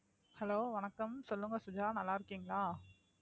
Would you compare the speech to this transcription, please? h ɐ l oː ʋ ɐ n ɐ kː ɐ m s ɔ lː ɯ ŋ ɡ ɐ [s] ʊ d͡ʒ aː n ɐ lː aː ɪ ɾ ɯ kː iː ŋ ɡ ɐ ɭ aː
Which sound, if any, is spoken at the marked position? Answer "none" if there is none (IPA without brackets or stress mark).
s